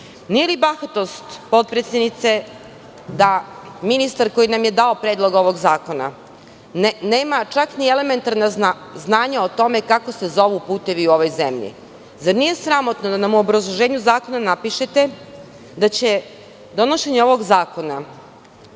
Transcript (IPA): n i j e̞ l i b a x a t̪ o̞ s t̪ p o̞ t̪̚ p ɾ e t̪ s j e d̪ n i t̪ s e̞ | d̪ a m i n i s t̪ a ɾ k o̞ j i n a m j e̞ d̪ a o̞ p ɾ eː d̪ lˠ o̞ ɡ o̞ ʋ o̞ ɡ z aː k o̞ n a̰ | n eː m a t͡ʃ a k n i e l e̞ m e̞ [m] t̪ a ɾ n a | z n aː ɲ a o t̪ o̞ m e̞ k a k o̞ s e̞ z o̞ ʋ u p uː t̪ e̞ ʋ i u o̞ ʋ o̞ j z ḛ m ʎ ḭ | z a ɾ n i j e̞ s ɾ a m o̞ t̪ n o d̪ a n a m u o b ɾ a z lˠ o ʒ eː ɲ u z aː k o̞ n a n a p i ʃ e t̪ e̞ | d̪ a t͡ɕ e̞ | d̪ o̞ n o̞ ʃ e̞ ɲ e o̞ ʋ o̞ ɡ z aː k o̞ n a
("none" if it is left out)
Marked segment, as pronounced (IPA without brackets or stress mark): n